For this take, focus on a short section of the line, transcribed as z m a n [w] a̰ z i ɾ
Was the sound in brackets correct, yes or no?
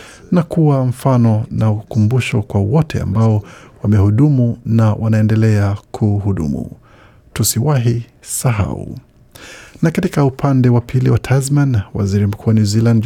yes